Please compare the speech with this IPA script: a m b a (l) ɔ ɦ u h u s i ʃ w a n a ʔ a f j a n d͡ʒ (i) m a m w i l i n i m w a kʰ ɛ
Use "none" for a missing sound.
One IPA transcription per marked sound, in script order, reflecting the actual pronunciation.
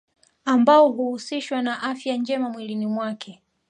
none, ɛ

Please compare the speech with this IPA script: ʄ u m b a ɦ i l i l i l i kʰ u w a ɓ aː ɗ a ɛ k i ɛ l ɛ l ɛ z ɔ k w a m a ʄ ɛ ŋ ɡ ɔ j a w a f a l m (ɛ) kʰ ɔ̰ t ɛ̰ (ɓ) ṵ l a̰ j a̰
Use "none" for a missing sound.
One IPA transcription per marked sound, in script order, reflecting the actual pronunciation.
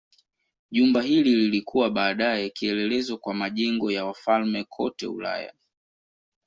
ɛ, none

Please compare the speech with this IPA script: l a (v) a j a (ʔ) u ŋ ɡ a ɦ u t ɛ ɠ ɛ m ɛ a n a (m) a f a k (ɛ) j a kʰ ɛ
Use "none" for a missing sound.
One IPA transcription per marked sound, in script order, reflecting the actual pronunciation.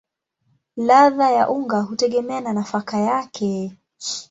ð, ʔ, n, a

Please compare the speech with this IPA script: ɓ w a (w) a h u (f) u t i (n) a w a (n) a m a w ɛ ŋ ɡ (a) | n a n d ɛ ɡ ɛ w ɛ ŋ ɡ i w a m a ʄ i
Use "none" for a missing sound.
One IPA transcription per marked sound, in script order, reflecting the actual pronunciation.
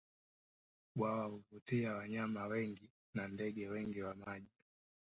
w, v, none, ɲ, i

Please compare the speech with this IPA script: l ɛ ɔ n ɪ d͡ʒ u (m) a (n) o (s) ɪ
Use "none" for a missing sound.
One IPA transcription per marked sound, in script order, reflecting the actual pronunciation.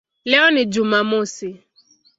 m, m, s

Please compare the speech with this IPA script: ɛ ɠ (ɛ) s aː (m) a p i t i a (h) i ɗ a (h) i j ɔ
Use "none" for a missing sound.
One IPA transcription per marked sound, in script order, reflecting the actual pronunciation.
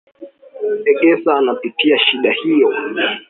ɛ, n, ʃ, h

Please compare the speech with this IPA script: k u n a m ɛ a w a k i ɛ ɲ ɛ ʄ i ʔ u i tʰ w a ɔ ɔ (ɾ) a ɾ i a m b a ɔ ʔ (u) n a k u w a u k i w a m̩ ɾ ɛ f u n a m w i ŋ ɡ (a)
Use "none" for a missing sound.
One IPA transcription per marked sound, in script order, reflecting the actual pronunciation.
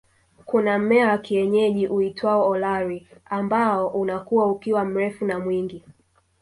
l, u, i

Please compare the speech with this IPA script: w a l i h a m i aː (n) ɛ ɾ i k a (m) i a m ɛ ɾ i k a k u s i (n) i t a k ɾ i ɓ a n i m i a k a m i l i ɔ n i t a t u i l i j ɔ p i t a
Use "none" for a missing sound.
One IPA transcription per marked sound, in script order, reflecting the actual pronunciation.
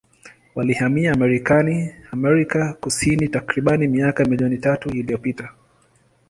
m, n, n

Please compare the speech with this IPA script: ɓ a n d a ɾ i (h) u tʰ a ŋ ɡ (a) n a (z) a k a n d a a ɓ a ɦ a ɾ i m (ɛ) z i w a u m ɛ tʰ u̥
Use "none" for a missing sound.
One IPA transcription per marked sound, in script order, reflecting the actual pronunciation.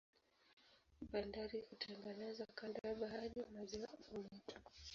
h, a, z, a

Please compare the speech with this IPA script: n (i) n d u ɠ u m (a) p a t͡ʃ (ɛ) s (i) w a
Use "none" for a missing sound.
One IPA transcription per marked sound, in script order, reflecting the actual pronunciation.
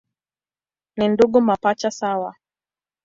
i, a, a, a

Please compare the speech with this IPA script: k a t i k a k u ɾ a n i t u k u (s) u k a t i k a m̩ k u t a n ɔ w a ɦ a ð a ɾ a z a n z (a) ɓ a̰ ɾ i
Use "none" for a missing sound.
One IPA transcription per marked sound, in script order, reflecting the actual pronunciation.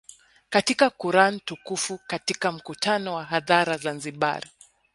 f, i

